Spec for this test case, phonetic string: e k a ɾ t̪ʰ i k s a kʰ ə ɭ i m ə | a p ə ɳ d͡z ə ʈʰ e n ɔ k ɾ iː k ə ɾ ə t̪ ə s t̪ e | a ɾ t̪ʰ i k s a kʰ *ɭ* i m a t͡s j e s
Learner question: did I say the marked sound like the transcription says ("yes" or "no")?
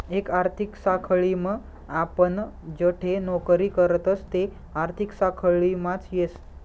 yes